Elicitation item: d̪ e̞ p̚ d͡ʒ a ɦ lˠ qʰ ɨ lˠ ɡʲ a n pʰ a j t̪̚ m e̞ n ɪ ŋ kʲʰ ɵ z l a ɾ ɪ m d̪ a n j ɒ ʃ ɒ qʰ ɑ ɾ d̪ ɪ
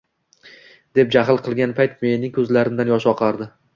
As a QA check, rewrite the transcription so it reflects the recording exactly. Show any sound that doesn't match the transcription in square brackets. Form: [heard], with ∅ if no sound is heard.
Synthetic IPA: d̪ e̞ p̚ d͡ʒ a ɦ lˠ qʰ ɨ lˠ ɡʲ a n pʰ a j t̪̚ m e̞ n ɪ ŋ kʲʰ ɵ z l a ɾ ɪ m d̪ a n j ɒ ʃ ɒ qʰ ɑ ɾ d̪ ɪ